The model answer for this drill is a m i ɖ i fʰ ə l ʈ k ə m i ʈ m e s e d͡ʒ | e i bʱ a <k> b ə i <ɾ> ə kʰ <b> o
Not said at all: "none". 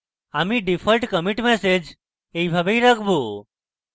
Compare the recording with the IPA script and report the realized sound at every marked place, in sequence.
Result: none, ɾ, b

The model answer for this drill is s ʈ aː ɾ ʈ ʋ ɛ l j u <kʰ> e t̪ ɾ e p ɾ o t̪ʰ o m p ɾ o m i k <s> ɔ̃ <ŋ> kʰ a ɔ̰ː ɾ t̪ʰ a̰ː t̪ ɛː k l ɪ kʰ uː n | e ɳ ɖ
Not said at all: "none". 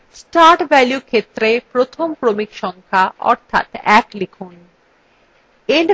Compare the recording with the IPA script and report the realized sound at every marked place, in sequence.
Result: kʰ, ʃ, ŋ

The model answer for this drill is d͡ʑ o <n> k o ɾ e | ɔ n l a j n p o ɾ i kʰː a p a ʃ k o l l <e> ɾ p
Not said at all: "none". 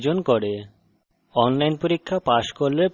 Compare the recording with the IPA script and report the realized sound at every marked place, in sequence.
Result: n, e

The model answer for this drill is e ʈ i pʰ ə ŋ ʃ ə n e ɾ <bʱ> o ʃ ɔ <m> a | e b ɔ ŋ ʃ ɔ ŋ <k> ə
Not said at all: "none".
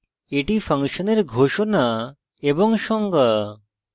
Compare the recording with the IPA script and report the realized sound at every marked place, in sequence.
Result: ɡʱ, n, ɡ

